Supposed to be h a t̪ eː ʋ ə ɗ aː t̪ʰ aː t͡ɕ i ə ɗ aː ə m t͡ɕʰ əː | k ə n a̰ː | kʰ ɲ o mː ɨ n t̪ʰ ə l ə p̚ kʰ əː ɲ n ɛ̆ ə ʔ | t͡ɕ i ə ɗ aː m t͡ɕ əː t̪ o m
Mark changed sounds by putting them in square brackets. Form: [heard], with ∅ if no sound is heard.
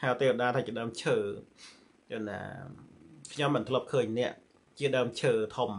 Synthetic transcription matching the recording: h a t̪ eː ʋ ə ɗ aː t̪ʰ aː t͡ɕ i ə ɗ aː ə m t͡ɕʰ əː | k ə n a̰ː | kʰ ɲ o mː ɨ n t̪ʰ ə l ə p̚ kʰ əː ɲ n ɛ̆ ə ʔ | t͡ɕ i ə ɗ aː m [t͡ɕʰ] əː [t̪ʰ] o m